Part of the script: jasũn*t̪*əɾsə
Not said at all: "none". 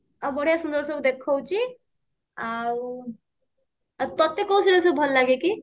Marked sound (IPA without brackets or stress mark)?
d̪